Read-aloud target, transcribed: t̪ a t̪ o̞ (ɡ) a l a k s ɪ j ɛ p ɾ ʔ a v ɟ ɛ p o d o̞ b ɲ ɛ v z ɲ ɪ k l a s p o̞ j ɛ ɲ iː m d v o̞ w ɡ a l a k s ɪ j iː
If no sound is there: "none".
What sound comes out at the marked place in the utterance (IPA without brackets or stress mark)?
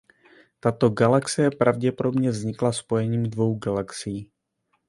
ɡ